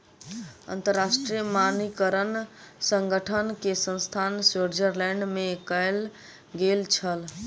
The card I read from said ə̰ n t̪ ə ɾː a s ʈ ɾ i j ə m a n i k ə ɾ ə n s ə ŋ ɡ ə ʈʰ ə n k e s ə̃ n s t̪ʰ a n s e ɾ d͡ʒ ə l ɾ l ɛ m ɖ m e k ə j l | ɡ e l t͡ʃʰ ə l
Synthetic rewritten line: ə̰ n t̪ ə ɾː a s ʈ ɾ i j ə m a n i k ə ɾ ə n s ə ŋ ɡ ə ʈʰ ə n k e s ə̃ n s t̪ʰ a n s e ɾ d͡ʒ ə ɾ l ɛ ɳ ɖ m e k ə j l | ɡ e l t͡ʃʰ ə l